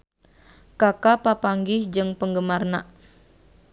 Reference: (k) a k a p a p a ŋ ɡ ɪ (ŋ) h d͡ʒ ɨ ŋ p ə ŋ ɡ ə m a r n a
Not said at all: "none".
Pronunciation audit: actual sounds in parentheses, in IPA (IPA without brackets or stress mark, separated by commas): k, none